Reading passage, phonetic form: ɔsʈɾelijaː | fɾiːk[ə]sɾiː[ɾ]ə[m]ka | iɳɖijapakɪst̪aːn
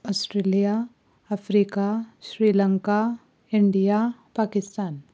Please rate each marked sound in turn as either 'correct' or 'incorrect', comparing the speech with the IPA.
incorrect: a, incorrect: l, incorrect: ŋ

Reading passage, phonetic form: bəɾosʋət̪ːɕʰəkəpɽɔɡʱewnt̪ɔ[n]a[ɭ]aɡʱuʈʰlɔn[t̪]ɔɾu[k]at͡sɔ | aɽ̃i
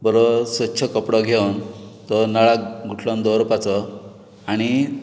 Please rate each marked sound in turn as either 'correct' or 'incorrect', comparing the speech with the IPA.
correct, correct, incorrect: d̪, incorrect: p

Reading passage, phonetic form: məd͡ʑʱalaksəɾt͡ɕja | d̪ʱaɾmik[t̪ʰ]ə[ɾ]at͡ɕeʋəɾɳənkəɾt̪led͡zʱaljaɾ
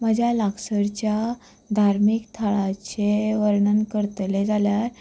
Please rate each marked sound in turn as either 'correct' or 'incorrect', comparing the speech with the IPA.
correct, incorrect: ɭ

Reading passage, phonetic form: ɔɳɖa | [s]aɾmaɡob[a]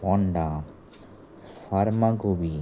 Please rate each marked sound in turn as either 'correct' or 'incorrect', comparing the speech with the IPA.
incorrect: f, incorrect: i

